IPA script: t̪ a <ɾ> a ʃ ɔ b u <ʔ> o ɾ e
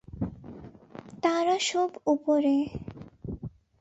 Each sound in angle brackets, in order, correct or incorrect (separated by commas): correct, incorrect